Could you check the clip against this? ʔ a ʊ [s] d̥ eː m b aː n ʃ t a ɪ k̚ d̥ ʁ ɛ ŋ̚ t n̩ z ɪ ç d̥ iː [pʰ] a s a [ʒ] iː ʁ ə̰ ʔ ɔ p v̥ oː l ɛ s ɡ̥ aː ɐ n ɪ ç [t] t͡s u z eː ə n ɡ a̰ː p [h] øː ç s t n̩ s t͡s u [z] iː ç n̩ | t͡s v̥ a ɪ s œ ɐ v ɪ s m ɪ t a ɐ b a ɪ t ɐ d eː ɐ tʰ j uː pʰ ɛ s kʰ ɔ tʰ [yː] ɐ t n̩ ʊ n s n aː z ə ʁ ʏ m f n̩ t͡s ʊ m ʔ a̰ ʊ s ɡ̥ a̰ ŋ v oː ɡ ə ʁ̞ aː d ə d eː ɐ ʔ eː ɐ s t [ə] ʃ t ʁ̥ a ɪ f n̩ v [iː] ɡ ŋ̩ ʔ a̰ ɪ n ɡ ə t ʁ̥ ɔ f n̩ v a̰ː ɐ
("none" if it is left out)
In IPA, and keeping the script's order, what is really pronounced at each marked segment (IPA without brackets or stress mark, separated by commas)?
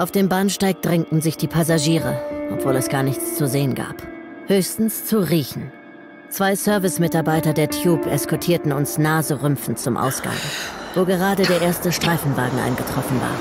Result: f, pʰ, ʒ, t͡s, h, ʁ, iː, ə, aː